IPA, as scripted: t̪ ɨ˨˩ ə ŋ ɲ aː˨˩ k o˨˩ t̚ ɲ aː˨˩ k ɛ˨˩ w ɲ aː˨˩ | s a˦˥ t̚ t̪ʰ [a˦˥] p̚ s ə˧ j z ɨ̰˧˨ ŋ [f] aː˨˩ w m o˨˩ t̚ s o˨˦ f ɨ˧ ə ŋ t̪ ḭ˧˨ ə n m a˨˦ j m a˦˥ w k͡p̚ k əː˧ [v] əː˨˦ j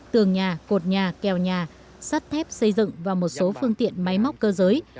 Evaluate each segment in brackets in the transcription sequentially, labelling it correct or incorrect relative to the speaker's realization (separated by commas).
incorrect, incorrect, incorrect